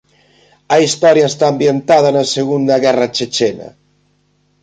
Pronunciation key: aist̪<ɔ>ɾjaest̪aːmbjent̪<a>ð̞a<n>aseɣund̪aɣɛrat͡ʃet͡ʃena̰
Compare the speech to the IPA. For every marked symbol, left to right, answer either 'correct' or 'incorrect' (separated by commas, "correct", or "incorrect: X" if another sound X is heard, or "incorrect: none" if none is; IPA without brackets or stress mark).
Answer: correct, correct, correct